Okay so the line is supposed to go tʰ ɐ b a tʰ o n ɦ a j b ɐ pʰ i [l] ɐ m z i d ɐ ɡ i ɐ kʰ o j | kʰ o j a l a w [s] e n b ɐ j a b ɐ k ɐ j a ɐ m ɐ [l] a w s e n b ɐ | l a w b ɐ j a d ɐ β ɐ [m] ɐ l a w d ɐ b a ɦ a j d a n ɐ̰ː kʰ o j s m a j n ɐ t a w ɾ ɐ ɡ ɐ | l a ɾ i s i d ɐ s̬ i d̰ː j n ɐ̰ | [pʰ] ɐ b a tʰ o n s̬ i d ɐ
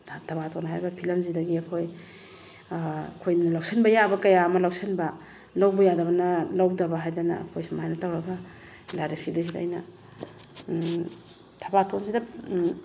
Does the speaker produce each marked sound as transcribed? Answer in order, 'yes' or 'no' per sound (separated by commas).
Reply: yes, yes, yes, no, no